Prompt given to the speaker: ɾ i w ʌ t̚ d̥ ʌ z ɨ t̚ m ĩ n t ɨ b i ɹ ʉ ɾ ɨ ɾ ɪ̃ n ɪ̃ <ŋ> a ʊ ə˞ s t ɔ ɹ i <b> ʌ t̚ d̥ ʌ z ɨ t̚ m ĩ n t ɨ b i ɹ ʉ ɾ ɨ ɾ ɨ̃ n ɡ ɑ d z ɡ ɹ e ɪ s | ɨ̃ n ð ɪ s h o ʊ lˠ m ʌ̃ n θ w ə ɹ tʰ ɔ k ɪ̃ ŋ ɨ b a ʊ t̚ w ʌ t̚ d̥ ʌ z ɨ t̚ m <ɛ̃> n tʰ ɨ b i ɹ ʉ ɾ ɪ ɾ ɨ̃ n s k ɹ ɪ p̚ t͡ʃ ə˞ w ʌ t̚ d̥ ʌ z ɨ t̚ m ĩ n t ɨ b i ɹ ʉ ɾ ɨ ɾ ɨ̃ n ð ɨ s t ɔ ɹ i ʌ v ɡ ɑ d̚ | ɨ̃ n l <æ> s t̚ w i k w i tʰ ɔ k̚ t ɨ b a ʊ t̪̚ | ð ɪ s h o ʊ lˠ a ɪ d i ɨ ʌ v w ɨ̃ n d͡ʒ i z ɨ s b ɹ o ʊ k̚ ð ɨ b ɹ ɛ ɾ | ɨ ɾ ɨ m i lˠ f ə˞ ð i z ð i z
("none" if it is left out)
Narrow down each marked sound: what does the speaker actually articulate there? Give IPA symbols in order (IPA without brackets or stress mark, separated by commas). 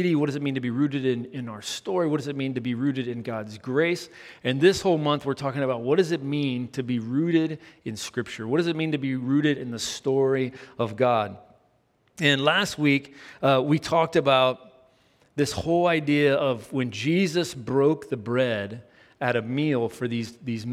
n, w, ĩ, æ